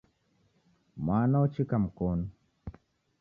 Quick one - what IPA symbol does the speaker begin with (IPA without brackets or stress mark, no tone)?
m